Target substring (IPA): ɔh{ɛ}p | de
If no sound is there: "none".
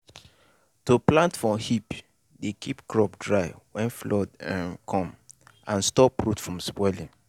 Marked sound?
i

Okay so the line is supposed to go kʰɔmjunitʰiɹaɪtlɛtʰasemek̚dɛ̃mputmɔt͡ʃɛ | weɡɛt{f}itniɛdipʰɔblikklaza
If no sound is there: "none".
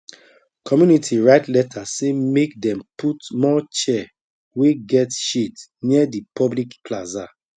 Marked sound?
ʃ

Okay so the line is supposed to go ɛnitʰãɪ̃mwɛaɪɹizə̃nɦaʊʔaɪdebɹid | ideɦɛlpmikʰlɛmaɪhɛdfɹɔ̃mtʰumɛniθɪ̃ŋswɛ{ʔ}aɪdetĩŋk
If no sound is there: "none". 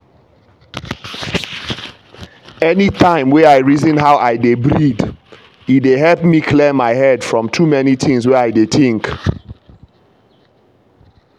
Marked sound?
none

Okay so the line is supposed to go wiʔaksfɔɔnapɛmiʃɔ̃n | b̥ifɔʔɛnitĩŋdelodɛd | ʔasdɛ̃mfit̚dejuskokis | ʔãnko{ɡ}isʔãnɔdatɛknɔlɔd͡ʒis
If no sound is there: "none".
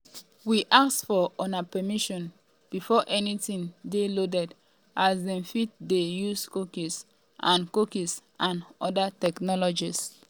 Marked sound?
k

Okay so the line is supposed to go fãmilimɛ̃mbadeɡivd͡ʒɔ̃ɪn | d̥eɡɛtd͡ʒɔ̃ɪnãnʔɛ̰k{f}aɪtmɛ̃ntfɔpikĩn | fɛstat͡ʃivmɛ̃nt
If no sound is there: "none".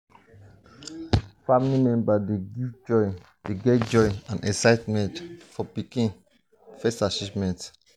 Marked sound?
s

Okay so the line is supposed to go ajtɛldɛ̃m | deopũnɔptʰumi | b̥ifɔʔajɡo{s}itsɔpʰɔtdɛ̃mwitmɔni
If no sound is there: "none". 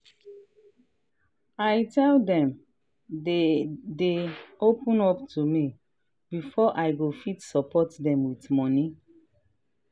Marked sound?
f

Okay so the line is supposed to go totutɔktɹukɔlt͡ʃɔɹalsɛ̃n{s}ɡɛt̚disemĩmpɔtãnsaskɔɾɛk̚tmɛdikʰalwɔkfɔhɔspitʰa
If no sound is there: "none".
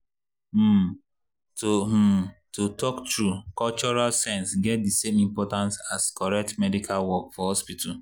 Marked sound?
s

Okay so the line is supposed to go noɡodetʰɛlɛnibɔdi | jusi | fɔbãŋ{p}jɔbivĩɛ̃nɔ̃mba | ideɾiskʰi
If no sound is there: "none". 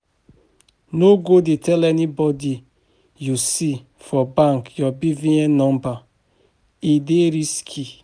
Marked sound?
k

